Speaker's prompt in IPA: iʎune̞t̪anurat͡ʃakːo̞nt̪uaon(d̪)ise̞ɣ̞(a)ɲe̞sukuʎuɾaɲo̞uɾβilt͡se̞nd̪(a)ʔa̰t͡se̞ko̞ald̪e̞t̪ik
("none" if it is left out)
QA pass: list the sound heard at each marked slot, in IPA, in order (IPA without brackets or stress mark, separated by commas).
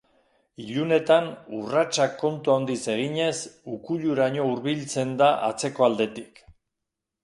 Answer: d̪, i, a